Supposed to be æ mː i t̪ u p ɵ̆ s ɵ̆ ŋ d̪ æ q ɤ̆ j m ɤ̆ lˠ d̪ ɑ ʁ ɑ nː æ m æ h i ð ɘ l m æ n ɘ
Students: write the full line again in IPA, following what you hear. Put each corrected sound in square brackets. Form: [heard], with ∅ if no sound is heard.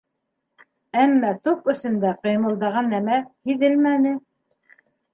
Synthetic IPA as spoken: æ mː [æ] t̪ u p ɵ̆ s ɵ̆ [n] d̪ æ q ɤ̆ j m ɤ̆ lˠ d̪ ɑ ʁ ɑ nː æ m æ h i ð ɘ l m æ n ɘ